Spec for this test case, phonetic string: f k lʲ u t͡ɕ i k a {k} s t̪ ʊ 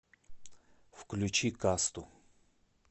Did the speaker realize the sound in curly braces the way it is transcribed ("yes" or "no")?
no